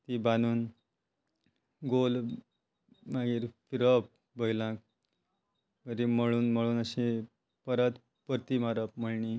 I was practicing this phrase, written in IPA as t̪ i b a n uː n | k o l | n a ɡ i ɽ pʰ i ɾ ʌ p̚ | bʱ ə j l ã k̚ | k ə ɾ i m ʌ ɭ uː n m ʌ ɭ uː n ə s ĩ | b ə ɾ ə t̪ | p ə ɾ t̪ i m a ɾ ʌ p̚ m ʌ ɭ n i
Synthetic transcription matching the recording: t̪ i b a n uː n | ɡ o l | m a ɡ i ɾ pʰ i ɾ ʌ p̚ | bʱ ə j l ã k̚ | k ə ɾ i m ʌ ɭ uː n m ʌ ɭ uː n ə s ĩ | p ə ɾ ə t̪ | p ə ɾ t̪ i m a ɾ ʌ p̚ m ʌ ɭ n i